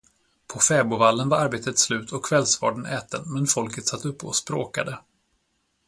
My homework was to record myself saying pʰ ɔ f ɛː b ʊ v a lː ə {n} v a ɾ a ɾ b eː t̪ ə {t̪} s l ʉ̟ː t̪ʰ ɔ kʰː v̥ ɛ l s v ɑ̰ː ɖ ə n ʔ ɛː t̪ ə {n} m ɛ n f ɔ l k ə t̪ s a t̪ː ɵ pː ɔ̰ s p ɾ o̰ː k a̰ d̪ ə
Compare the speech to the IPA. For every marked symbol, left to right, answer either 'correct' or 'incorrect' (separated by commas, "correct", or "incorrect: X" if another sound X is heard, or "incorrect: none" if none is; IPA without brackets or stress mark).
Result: correct, correct, correct